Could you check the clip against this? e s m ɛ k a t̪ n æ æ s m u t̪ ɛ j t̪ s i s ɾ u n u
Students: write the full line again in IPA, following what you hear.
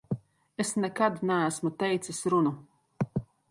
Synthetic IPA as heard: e s n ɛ k a d̪ n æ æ s m u t̪ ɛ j t̪ s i s ɾ u n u